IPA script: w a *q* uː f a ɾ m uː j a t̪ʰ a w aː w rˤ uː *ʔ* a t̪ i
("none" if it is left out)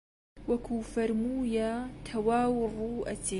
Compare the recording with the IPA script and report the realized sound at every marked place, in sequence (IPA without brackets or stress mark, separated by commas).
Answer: k, ʔ